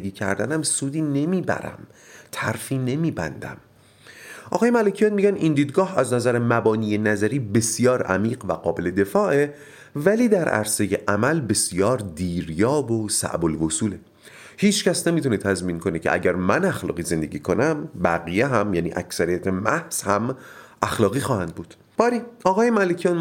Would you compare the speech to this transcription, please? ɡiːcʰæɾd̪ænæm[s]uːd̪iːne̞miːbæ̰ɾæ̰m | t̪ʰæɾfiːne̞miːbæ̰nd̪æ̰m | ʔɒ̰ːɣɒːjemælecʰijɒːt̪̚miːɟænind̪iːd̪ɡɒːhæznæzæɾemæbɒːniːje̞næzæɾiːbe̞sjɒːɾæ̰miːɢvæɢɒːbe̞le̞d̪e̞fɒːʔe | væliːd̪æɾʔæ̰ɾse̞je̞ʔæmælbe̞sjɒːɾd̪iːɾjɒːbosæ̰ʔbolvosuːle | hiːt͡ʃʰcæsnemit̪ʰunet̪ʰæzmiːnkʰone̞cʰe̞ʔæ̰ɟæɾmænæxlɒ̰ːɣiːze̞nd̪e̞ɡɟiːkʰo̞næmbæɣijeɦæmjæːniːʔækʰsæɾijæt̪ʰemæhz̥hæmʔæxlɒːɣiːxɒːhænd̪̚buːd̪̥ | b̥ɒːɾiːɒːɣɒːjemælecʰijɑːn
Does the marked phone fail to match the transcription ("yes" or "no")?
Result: no